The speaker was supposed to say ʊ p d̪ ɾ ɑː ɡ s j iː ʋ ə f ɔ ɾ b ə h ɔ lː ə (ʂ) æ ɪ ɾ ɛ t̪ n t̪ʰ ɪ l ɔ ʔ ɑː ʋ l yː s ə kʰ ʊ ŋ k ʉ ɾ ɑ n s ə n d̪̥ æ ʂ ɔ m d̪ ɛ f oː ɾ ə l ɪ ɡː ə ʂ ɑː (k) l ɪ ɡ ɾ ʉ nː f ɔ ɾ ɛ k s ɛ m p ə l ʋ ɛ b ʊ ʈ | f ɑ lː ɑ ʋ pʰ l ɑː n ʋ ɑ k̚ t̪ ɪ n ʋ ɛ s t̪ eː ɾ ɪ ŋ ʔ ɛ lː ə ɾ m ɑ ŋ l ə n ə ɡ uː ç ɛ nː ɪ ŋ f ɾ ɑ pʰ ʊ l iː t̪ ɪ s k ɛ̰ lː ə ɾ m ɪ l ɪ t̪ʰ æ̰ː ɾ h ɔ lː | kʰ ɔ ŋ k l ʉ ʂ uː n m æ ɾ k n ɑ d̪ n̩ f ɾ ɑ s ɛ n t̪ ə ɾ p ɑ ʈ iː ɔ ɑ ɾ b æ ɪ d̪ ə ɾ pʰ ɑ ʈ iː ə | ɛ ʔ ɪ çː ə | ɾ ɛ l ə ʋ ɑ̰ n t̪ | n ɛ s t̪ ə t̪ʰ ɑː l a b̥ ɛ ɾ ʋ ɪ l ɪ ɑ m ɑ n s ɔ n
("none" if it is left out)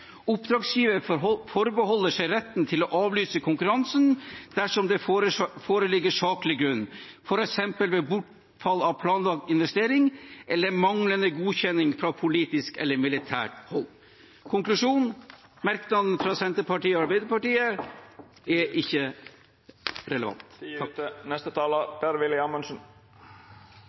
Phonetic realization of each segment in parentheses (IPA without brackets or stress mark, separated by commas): ʂ, k